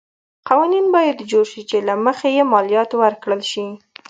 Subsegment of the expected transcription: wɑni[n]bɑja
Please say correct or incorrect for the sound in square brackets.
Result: correct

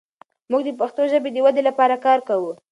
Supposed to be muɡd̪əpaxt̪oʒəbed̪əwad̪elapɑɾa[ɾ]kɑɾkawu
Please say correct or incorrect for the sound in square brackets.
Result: incorrect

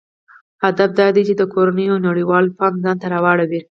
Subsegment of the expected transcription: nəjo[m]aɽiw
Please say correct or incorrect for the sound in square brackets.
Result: incorrect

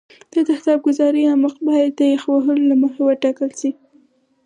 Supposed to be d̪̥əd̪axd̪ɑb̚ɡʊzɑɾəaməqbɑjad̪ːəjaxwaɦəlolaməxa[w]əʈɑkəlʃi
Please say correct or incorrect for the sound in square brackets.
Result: correct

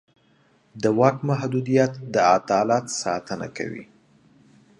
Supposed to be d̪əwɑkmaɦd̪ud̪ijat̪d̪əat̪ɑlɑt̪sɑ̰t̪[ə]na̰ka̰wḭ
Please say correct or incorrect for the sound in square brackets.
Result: correct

